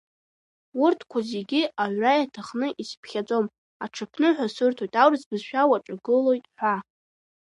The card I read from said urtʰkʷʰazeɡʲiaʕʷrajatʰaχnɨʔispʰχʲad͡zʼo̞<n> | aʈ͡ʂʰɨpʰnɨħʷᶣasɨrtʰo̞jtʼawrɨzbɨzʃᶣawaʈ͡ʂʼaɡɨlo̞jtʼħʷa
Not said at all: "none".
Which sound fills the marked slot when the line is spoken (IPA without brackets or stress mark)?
m